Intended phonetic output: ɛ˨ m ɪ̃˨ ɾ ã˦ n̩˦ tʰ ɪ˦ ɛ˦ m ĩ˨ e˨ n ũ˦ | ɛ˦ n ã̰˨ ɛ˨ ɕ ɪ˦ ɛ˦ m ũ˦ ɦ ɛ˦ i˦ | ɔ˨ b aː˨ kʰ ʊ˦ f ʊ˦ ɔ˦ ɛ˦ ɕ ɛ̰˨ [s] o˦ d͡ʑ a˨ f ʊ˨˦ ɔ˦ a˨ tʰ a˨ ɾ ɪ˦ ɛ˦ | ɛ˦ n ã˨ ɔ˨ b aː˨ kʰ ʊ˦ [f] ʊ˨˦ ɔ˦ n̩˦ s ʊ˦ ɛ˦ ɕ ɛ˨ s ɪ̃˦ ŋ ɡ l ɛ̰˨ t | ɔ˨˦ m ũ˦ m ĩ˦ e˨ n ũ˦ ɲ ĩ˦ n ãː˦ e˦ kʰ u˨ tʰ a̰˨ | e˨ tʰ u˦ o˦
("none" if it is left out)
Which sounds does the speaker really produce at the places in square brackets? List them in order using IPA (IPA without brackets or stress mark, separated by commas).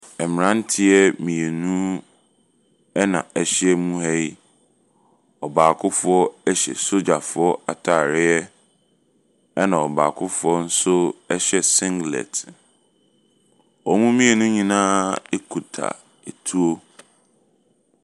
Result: s, f